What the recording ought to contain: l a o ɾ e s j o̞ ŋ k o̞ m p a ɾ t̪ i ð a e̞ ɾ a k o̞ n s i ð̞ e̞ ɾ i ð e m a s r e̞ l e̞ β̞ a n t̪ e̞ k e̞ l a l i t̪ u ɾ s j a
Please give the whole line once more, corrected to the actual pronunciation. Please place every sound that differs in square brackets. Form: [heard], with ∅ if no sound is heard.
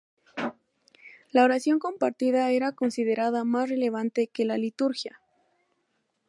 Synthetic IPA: l a o ɾ [a] s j o̞ ŋ k o̞ m p a ɾ t̪ i ð a e̞ ɾ a k o̞ n s i ð̞ e̞ ɾ [a] ð [a] m a s r e̞ l e̞ β̞ a n t̪ e̞ k e̞ l a l i t̪ u ɾ [x] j a